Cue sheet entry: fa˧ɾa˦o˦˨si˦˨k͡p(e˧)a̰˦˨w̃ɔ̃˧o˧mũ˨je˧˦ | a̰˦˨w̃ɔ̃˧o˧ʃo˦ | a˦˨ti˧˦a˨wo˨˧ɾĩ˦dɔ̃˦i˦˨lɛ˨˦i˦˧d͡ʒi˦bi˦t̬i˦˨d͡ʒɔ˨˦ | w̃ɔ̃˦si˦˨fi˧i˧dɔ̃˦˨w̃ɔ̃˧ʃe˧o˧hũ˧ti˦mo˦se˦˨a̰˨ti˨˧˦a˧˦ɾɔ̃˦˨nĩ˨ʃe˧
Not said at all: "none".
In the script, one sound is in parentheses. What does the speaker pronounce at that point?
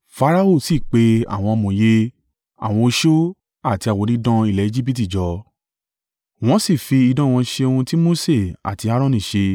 e˧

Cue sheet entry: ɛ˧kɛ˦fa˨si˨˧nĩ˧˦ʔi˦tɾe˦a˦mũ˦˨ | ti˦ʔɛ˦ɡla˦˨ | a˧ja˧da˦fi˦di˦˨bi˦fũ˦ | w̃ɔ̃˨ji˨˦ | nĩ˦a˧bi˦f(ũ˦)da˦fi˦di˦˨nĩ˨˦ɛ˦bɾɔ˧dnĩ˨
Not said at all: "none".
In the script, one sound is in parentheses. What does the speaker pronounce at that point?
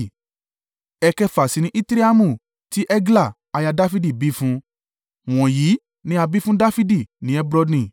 ũ˦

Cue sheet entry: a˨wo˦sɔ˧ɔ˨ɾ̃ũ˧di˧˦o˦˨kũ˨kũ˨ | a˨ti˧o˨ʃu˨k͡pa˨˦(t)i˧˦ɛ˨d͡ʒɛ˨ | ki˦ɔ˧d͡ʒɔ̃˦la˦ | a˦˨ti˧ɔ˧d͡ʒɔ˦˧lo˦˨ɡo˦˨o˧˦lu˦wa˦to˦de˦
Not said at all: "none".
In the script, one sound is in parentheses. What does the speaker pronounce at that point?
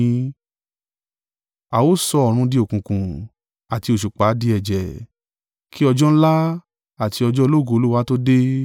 d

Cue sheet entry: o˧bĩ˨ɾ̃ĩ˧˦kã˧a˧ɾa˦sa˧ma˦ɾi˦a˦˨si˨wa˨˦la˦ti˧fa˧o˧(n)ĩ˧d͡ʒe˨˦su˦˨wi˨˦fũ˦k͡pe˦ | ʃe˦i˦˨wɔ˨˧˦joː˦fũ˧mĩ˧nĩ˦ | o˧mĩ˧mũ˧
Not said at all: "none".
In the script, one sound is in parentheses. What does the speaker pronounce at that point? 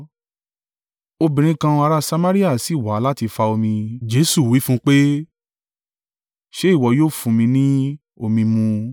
m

